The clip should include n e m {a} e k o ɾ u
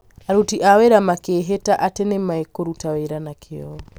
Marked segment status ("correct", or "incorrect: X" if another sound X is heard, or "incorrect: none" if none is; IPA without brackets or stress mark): correct